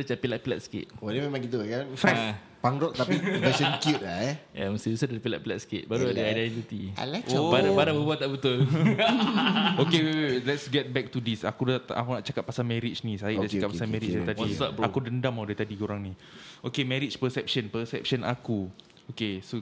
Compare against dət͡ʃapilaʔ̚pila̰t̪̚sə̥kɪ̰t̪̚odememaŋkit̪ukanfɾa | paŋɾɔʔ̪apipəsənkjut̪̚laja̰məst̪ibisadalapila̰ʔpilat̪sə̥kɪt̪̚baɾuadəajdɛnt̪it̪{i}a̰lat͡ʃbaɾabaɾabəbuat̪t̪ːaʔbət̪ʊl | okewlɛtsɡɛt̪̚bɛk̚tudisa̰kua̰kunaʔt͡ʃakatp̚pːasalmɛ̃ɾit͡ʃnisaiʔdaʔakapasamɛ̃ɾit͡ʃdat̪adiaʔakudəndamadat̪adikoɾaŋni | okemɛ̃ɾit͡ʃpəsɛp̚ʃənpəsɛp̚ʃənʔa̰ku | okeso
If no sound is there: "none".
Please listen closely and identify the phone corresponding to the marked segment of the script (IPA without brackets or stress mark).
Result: i